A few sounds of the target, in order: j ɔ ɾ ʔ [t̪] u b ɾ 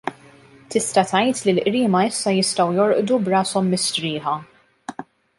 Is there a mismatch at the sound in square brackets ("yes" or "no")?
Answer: yes